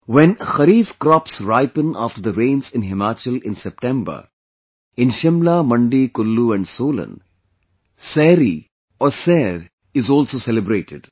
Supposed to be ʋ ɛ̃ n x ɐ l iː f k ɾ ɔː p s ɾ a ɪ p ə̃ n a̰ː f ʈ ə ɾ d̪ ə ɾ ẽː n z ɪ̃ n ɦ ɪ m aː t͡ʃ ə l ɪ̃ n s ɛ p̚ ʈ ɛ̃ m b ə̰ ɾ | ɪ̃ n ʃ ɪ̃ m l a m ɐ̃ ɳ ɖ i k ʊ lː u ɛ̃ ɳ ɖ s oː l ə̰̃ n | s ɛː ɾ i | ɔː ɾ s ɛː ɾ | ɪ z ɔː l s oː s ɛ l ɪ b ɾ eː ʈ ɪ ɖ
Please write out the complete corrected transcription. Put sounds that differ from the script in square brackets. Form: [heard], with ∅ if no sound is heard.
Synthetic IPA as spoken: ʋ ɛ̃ n x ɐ [ɾ] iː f k ɾ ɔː p s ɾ a ɪ p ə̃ n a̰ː f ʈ ə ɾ d̪ ə ɾ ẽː n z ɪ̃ n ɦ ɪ m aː t͡ʃ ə l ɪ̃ n s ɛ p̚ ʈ ɛ̃ m b ə̰ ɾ | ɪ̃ n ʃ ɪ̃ m l a m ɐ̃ ɳ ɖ i k ʊ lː u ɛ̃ ɳ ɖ s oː l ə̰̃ n | s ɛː ɾ i | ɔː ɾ s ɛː ɾ | ɪ z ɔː l s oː s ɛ l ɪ b ɾ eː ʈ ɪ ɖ